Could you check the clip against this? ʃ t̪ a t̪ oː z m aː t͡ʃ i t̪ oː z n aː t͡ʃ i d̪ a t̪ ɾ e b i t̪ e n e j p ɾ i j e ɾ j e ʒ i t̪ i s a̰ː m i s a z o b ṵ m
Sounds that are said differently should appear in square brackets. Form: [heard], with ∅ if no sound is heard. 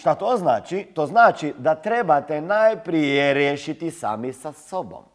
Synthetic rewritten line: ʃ t̪ a t̪ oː z [n] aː t͡ʃ i t̪ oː z n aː t͡ʃ i d̪ a t̪ ɾ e b [a] t̪ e n [a] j p ɾ i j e ɾ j e [ʃ] i t̪ i s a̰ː m i s a [s] o b [o̰] m